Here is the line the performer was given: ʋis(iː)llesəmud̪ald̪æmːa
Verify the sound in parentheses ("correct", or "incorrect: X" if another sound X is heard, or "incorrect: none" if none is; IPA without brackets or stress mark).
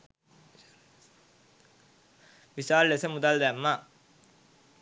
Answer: incorrect: aː